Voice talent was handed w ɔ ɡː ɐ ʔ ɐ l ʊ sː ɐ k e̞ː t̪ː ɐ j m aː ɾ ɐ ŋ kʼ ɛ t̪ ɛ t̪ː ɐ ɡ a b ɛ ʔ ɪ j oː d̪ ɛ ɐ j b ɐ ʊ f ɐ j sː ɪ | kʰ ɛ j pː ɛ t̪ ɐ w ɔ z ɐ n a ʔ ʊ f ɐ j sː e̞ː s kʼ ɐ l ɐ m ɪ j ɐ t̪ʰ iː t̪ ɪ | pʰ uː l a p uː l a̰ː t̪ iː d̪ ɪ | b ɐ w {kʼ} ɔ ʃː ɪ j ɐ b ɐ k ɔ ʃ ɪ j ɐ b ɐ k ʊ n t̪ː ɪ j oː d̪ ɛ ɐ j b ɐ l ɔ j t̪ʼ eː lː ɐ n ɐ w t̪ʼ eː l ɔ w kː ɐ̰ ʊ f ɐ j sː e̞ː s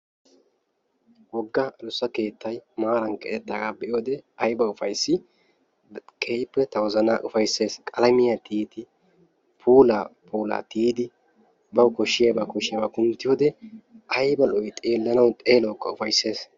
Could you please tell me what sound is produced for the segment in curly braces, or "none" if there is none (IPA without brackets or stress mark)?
k